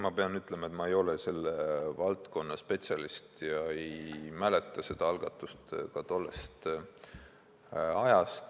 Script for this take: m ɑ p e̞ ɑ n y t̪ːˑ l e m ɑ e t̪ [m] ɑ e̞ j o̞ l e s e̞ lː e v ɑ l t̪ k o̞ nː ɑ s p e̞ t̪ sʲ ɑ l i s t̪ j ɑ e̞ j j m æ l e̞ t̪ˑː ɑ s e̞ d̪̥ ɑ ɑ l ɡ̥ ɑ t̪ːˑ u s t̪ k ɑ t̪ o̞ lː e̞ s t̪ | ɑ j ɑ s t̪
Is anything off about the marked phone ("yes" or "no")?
no